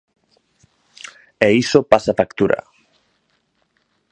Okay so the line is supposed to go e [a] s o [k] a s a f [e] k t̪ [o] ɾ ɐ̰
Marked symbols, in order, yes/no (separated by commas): no, no, no, no